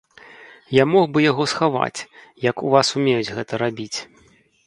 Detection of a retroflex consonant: absent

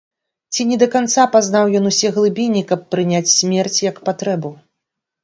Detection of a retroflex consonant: absent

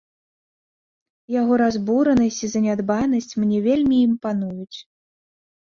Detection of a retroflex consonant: absent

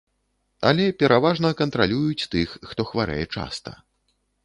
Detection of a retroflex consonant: present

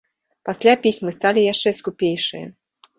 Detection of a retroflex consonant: present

